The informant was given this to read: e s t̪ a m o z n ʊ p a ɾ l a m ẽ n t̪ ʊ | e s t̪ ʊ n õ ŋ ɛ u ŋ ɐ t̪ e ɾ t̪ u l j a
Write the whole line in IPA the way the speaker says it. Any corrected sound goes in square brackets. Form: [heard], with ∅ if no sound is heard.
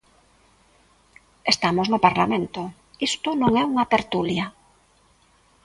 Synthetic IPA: e s t̪ a m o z n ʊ p a ɾ l a m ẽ n t̪ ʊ | [i] s t̪ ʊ n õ ŋ ɛ u ŋ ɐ t̪ e ɾ t̪ u l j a